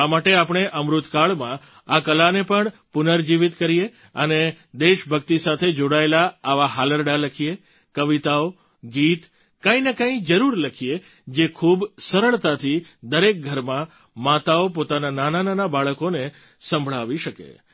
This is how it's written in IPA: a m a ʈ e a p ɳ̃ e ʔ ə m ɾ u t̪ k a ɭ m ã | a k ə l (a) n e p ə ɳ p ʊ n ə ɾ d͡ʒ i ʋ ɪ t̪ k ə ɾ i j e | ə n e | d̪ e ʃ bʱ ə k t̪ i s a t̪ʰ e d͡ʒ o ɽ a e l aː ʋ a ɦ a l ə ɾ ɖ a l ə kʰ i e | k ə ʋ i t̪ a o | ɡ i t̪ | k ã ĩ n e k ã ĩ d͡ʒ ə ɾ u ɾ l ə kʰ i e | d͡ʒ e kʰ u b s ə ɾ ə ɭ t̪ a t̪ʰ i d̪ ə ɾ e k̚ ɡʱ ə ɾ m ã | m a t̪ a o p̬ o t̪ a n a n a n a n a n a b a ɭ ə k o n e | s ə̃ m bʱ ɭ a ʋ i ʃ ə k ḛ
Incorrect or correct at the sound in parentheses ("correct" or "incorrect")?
correct